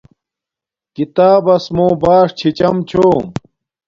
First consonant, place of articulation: velar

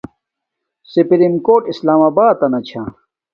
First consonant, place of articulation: alveolar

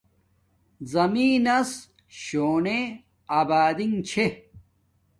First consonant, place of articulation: alveolar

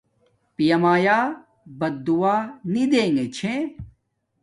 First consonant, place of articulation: labial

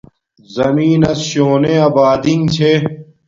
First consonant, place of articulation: alveolar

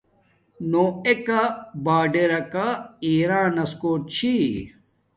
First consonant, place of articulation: alveolar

